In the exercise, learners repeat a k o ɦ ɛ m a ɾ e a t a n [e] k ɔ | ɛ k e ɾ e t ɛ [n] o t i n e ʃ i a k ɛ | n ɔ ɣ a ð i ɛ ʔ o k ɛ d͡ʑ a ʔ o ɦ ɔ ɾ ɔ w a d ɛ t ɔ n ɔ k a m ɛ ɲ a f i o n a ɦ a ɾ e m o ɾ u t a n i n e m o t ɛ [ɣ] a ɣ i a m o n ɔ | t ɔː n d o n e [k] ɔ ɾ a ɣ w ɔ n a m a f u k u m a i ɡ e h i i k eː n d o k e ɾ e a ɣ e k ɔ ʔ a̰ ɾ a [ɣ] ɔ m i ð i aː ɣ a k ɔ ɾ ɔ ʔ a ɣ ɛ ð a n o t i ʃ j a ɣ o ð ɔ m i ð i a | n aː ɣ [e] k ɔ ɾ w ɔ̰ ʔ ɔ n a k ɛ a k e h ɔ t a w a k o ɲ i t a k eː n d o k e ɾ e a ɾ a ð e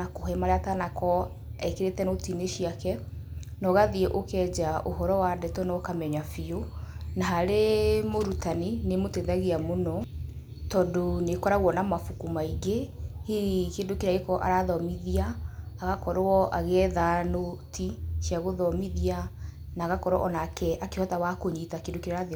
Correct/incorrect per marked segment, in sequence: incorrect: a, correct, incorrect: ð, correct, incorrect: ð, incorrect: a

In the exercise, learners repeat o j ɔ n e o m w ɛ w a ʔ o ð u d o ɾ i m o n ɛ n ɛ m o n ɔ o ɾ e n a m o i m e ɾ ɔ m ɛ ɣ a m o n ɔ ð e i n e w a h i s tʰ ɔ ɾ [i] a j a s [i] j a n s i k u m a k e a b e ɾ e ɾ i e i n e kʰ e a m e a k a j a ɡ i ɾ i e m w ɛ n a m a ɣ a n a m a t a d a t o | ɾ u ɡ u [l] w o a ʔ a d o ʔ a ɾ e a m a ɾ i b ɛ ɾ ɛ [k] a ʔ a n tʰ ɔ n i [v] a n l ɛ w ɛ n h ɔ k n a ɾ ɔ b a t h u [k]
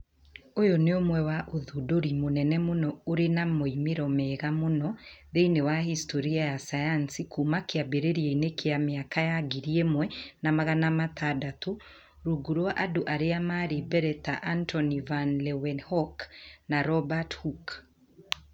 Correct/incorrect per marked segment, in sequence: correct, incorrect: a, incorrect: ɾ, incorrect: t, correct, correct

